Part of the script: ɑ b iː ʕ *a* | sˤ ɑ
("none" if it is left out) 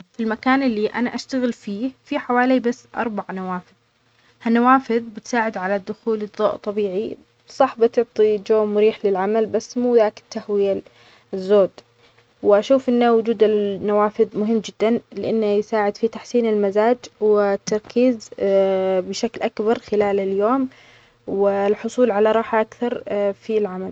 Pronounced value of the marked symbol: i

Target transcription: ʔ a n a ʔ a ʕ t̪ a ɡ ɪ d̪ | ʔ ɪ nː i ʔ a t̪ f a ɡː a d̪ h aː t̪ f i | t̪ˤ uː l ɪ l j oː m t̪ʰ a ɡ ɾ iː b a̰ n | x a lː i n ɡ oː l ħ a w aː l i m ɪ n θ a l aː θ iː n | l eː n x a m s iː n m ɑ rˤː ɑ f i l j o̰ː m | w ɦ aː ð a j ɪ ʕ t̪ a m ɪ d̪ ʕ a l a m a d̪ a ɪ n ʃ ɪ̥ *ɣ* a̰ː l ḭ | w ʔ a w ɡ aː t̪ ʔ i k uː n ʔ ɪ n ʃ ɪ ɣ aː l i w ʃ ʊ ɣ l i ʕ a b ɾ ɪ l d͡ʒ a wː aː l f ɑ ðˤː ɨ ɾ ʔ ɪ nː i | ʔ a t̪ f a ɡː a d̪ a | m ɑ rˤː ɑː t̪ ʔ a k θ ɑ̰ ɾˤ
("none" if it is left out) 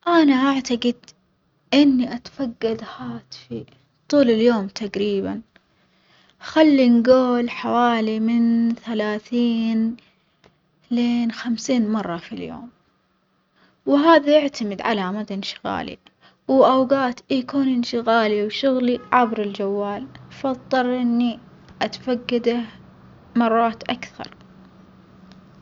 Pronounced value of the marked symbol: ɣ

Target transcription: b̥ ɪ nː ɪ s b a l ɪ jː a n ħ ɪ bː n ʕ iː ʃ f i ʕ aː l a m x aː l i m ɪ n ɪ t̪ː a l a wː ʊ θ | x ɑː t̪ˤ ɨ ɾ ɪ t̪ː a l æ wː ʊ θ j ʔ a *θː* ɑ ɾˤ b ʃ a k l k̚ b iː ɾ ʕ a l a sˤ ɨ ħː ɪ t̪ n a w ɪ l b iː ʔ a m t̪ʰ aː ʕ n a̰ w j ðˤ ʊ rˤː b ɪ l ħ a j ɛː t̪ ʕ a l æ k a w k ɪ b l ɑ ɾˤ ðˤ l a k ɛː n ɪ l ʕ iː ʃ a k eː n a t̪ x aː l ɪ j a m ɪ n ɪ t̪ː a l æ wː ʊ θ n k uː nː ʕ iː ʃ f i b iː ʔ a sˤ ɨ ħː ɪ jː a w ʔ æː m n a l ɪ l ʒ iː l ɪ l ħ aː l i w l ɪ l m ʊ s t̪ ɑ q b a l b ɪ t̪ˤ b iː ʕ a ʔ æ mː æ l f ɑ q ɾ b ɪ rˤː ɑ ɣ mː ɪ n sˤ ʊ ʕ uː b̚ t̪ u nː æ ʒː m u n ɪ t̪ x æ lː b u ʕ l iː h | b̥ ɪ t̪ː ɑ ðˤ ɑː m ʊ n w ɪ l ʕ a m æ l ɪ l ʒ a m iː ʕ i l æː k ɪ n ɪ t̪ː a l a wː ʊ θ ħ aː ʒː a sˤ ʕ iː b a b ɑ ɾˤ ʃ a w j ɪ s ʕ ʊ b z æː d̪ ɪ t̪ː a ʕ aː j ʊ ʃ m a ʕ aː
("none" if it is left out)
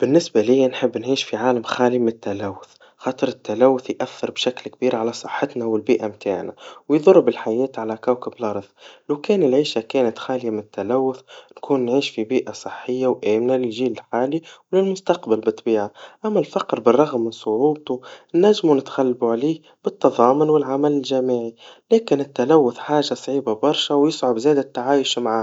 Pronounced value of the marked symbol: θː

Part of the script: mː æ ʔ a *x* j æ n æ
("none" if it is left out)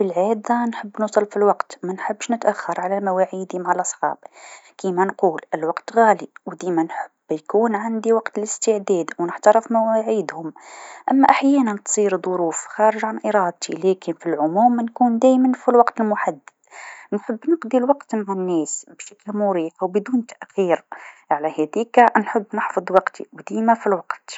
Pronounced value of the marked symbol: ħ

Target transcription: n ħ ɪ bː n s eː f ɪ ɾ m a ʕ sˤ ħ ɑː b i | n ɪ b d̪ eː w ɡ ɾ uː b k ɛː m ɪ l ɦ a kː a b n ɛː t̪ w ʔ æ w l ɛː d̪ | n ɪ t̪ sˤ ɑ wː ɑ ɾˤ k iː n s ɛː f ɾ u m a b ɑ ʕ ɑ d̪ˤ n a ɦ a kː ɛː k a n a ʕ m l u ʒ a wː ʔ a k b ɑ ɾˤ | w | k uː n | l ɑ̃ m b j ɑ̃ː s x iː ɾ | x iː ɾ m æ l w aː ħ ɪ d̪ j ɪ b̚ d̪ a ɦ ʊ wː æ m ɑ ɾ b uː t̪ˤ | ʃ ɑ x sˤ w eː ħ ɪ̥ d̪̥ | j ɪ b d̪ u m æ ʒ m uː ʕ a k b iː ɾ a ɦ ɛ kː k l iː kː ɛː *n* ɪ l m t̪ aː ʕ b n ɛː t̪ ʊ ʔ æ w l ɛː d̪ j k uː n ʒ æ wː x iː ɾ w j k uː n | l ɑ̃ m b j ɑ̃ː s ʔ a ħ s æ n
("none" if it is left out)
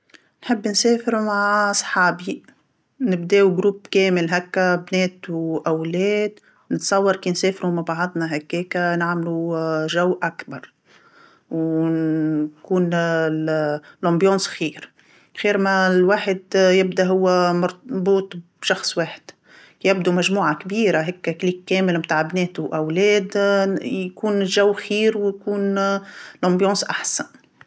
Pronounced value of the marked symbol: m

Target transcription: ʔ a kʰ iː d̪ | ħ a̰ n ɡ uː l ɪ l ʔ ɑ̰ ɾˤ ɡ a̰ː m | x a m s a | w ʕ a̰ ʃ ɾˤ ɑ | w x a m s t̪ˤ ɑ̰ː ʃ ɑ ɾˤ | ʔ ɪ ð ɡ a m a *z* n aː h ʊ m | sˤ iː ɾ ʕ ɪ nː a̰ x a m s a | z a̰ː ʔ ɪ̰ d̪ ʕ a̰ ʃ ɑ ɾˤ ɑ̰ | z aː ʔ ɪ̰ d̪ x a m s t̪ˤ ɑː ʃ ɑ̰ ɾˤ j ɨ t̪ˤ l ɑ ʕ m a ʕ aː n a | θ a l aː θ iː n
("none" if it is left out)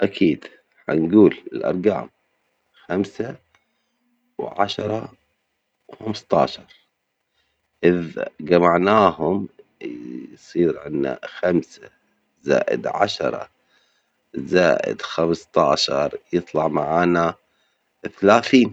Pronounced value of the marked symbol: ʕ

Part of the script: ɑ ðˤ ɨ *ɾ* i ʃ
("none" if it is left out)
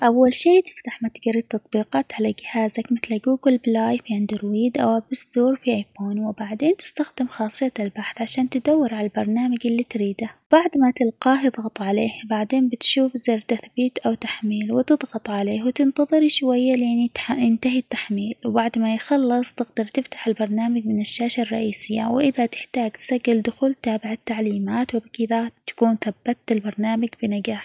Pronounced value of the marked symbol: ɾ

